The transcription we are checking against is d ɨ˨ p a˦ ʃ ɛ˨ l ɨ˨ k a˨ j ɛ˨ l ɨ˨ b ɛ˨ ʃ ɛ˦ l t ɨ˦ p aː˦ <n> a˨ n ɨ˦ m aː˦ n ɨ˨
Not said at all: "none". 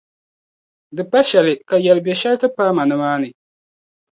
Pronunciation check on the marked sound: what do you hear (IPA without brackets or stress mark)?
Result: m